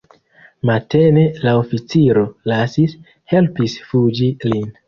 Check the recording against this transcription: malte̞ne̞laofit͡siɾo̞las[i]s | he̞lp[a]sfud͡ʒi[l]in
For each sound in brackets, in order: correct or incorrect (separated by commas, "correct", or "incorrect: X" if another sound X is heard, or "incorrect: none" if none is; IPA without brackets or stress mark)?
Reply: correct, incorrect: i, correct